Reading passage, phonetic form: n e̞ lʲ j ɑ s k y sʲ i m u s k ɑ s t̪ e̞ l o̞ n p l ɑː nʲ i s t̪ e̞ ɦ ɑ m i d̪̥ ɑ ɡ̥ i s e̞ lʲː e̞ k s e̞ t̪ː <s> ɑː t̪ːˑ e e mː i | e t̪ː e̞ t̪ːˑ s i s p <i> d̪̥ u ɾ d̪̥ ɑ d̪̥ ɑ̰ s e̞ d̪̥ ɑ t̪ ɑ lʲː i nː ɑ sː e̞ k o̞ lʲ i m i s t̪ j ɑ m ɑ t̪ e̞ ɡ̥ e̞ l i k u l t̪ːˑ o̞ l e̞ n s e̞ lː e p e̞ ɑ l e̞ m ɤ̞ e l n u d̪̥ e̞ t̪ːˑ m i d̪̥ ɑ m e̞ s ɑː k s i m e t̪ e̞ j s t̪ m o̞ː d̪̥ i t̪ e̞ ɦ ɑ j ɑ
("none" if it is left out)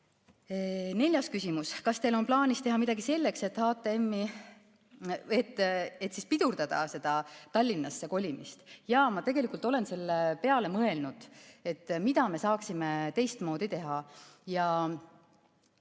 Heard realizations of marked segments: h, i

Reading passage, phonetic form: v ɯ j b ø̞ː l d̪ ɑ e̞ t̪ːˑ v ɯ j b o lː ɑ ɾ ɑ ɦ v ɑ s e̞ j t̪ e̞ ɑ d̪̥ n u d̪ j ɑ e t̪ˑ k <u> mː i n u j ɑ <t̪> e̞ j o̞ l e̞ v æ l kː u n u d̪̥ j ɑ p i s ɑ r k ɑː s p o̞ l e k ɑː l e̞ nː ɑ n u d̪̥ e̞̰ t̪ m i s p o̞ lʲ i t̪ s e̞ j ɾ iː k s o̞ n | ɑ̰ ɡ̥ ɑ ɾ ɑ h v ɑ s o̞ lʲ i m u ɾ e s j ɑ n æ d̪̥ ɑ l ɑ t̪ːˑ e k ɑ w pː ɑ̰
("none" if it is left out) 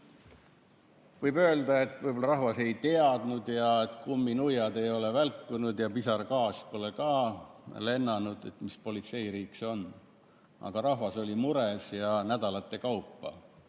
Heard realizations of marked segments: u, d̪

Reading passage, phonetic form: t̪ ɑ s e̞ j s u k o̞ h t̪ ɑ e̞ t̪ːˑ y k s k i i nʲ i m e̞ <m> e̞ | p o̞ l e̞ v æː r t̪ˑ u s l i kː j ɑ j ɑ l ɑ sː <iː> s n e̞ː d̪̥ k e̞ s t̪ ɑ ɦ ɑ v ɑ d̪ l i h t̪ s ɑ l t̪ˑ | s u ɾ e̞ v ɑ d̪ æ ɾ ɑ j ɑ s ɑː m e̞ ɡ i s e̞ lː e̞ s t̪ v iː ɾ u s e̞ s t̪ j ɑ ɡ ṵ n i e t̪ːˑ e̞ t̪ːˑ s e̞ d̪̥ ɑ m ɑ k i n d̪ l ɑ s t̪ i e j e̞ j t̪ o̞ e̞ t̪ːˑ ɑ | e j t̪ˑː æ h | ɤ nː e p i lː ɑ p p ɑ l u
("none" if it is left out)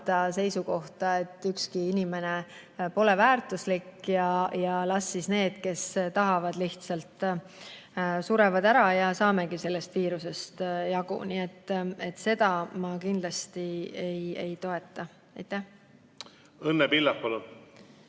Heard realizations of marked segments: n, i

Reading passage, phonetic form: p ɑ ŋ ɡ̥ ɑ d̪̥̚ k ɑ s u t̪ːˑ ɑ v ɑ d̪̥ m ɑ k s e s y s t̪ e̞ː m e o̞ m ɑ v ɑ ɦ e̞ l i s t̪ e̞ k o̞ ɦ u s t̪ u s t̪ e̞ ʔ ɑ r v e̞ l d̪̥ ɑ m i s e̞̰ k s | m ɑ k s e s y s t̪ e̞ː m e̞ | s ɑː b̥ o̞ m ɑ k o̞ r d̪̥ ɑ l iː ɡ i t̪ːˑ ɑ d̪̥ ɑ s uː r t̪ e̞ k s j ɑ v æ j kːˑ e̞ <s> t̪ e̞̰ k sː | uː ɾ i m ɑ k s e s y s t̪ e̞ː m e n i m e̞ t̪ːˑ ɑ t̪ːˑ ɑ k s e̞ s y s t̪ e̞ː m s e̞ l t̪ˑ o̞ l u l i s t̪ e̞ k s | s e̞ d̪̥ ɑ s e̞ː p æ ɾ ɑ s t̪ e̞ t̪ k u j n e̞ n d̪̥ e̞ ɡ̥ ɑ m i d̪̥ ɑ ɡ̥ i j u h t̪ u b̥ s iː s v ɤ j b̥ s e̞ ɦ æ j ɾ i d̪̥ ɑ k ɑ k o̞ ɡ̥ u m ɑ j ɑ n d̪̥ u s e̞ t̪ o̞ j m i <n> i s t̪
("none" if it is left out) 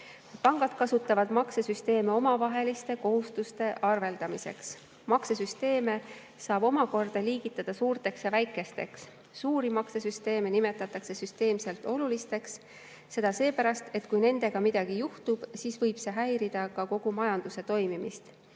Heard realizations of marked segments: s, m

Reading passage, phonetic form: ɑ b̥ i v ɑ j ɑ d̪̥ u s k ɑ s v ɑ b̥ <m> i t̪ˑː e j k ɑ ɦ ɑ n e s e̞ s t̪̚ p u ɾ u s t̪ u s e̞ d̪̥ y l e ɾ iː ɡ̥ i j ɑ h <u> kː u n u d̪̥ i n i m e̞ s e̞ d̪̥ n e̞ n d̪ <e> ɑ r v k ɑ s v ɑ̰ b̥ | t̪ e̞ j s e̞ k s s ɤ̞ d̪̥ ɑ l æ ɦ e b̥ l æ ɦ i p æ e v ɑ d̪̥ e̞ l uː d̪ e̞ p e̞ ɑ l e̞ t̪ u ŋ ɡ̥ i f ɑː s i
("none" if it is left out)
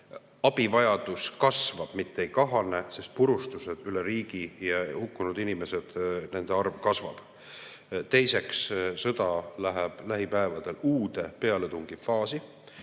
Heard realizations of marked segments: m, u, e

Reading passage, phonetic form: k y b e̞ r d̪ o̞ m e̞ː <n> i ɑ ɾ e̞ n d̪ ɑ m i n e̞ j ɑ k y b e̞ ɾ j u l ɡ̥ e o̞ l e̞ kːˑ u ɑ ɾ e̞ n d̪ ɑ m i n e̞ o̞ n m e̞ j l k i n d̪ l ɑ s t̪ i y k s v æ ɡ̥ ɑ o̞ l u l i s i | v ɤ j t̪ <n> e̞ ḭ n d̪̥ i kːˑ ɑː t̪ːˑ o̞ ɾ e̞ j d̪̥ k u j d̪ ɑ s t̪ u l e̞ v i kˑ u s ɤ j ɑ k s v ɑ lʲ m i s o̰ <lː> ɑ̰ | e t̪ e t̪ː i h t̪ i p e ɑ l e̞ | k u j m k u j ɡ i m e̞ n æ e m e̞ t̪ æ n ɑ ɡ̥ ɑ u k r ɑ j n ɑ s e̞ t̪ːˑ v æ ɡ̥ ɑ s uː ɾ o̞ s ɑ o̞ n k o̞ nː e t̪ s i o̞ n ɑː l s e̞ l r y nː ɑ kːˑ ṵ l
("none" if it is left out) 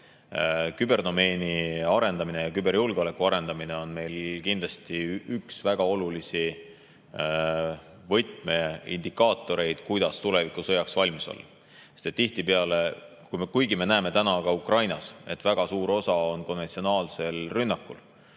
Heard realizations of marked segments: n, m, lː

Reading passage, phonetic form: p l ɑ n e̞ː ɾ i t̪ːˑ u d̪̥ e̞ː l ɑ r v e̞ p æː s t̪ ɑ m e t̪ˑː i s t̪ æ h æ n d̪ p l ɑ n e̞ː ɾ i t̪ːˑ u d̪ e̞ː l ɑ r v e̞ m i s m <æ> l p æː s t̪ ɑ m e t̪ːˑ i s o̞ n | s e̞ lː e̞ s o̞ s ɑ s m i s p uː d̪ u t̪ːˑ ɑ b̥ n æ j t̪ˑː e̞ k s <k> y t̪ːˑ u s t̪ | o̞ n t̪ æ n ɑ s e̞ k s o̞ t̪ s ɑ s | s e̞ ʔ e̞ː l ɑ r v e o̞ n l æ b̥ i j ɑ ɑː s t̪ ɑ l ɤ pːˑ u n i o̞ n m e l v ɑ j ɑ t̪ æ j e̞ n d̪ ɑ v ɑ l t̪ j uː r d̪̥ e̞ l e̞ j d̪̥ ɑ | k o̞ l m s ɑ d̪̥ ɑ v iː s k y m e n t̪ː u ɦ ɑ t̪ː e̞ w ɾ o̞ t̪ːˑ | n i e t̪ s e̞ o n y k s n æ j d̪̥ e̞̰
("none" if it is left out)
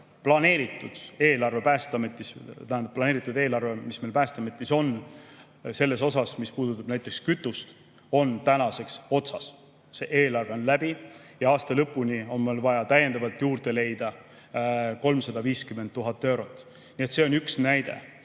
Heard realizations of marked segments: e, k

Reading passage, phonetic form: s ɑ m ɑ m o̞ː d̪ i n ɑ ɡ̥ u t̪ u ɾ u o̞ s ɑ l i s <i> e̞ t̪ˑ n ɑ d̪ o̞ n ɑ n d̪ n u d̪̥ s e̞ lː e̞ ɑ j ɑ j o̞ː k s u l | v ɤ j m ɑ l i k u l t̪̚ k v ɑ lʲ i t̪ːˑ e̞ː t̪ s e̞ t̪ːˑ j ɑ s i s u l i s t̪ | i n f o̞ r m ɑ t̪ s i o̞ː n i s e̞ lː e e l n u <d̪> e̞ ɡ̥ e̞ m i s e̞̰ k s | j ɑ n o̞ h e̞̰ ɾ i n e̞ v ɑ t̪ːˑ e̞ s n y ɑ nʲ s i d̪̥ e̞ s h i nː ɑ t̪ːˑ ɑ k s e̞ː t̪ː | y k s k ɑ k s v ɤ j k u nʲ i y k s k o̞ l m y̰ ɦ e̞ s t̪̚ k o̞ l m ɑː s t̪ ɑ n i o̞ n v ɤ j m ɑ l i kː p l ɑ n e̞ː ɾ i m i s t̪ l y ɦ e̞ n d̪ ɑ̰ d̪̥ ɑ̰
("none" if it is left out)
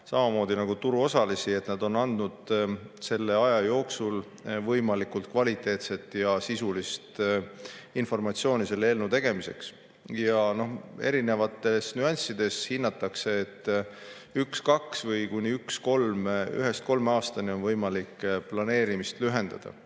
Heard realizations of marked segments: i, t̪

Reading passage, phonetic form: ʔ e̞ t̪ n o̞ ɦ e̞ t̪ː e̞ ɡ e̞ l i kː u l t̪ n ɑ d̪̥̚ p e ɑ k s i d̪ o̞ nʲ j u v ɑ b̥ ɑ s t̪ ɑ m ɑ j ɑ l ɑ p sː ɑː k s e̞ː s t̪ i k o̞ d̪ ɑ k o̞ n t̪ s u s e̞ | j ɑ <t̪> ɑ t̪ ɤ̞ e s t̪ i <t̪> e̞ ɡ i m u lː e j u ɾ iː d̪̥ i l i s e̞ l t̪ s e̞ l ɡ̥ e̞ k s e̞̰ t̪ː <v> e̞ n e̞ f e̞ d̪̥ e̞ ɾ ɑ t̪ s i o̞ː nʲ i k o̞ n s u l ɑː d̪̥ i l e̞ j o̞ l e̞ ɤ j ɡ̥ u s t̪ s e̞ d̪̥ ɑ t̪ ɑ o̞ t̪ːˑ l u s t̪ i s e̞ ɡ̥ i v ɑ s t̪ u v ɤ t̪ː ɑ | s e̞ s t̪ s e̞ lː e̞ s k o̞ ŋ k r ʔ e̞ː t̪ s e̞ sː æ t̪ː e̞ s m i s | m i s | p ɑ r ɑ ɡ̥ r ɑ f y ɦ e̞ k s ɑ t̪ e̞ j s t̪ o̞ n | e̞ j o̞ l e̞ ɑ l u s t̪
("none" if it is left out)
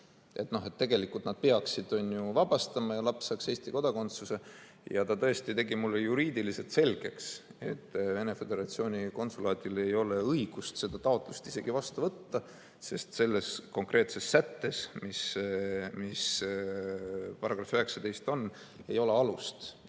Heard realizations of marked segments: t̪, t̪, v

